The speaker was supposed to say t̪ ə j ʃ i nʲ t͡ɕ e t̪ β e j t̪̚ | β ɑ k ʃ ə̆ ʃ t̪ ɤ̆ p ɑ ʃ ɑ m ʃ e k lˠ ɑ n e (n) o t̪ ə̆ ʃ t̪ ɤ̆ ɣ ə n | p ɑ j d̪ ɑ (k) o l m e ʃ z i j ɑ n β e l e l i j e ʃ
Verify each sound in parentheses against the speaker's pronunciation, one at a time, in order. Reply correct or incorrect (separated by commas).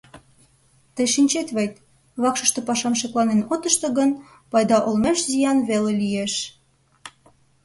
correct, incorrect